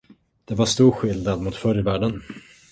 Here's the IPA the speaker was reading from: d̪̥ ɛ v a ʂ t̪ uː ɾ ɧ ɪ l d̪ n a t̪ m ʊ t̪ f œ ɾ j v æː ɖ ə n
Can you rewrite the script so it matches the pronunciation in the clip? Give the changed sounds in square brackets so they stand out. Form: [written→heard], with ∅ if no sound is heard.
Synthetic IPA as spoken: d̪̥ ɛ v a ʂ t̪ uː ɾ ɧ ɪ l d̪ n a [t̪→d̪] m ʊ t̪ f œ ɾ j v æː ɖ ə n

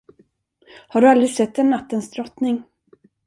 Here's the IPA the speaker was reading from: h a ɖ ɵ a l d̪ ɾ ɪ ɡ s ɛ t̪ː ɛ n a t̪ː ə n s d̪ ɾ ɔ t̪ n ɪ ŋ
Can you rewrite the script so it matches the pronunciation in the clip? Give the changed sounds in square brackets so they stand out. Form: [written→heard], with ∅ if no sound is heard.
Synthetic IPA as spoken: h a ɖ ɵ a l d̪ ɾ ɪ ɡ s ɛ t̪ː ɛ [n→nː] a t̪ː ə n s d̪ ɾ ɔ t̪ n ɪ ŋ

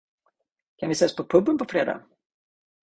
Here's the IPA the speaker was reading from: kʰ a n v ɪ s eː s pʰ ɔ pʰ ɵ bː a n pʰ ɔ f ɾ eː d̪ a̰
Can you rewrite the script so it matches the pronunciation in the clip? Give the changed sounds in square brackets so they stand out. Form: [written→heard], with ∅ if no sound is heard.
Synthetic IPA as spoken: kʰ a n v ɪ s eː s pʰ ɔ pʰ ɵ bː [a→ə] n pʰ ɔ f ɾ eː d̪ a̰

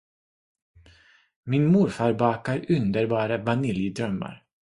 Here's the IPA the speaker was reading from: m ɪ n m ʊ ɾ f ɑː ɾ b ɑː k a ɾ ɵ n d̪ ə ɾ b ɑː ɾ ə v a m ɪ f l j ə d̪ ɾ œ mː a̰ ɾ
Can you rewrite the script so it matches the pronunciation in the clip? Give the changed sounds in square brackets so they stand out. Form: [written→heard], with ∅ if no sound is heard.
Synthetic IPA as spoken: m ɪ n m ʊ ɾ f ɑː ɾ b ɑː k a ɾ ɵ n d̪ ə ɾ b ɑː ɾ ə v a [m→n] ɪ [f→∅] l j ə d̪ ɾ œ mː a̰ ɾ

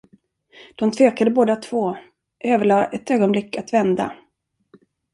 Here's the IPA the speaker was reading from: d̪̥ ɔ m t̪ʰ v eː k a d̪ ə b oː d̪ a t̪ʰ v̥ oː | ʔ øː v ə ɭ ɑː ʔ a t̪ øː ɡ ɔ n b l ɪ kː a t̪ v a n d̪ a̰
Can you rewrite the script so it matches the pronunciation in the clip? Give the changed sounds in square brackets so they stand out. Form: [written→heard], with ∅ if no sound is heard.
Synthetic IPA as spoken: d̪̥ ɔ m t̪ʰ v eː k a d̪ ə b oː d̪ a t̪ʰ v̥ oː | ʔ øː v ə ɭ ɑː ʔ [a→ɛ] t̪ øː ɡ ɔ n b l ɪ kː a t̪ v [a→ɛ] n d̪ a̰

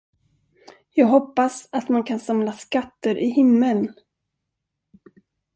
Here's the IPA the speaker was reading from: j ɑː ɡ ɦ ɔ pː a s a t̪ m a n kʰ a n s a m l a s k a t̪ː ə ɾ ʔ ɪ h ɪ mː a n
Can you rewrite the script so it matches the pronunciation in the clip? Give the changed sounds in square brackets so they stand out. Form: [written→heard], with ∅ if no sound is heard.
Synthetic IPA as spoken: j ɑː ɡ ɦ ɔ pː a s a t̪ m a n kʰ a n s a m l a s k a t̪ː ə ɾ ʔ ɪ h ɪ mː [a→ə] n

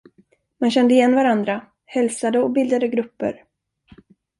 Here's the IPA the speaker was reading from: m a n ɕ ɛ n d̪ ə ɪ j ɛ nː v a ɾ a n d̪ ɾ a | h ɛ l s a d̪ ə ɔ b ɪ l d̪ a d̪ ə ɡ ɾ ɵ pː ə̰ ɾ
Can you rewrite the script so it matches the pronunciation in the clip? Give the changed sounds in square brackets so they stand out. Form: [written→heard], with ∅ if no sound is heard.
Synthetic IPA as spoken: m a n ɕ ɛ n d̪ ə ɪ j ɛ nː v a ɾ a n d̪ ɾ a | h ɛ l s a d̪ ə ɔ b ɪ l d̪ a d̪ ə ɡ ɾ ɵ pː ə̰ ɾ

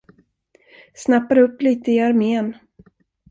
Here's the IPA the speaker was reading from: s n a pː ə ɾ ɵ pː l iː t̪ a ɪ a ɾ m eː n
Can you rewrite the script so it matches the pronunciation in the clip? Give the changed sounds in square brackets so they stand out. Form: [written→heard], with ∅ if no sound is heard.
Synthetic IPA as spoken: s n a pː [ə→a] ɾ ɵ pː l iː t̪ [a→ə] ɪ a ɾ m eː n

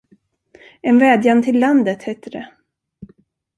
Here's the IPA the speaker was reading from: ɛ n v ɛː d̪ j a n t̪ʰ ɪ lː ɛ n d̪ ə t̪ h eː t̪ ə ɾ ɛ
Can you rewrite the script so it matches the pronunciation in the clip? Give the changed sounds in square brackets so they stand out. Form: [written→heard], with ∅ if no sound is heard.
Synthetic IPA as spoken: ɛ n v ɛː d̪ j a n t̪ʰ ɪ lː [ɛ→a] n d̪ ə t̪ h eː t̪ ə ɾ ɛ

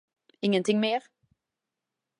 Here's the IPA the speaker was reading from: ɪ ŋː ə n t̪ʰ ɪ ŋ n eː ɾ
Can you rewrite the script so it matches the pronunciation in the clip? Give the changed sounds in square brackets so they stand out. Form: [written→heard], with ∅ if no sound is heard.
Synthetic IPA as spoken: ɪ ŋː ə n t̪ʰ ɪ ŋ [n→m] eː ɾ

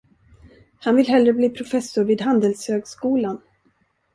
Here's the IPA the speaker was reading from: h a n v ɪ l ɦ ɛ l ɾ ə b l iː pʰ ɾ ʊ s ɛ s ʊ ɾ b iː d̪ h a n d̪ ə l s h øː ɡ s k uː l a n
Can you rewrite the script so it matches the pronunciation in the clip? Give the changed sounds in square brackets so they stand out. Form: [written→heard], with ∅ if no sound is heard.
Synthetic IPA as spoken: h a n v ɪ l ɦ ɛ l ɾ ə b l iː pʰ ɾ ʊ [s→f] ɛ s ʊ ɾ [b→v] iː d̪ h a n d̪ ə l s h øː ɡ s k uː l a n

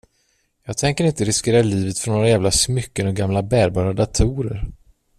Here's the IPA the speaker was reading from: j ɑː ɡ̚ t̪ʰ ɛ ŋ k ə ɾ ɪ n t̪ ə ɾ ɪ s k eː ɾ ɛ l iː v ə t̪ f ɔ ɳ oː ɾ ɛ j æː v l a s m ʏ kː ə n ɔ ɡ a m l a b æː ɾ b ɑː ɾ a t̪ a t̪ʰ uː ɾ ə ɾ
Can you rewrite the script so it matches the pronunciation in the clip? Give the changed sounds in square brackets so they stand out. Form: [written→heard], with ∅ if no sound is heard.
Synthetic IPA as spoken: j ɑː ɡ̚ t̪ʰ ɛ ŋ k ə ɾ ɪ n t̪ ə ɾ ɪ s k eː ɾ [ɛ→a] l iː v ə t̪ f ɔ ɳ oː ɾ [ɛ→a] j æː v l a s m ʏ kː ə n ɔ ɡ a m l a b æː ɾ b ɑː ɾ a [t̪→d̪] a t̪ʰ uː ɾ ə ɾ

